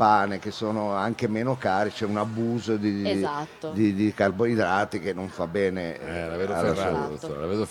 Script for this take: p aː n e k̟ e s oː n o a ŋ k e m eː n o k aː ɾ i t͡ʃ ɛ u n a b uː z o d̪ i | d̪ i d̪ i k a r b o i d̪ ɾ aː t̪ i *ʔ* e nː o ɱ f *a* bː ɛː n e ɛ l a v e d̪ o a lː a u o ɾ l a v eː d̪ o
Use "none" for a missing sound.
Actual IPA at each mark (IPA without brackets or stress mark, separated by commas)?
k, a